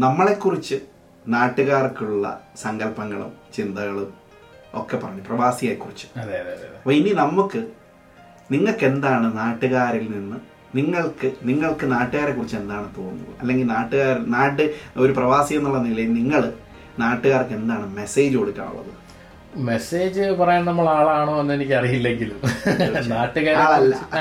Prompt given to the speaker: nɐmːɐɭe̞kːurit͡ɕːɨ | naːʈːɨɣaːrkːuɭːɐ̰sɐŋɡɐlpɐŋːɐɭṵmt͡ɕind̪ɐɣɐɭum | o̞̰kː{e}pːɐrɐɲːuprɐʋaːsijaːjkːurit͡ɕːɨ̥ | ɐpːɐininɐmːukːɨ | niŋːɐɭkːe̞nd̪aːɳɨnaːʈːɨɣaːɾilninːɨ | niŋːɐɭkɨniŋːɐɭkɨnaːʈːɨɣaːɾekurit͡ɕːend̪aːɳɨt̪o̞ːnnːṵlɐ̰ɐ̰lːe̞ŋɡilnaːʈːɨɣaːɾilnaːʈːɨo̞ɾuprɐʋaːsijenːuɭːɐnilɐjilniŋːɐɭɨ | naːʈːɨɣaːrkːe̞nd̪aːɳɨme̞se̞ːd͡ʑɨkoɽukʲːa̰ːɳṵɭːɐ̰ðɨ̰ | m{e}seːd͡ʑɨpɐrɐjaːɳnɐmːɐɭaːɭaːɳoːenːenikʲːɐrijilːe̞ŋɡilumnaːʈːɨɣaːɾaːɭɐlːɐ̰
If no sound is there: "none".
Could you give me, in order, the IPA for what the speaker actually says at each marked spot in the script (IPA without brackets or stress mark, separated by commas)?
e, e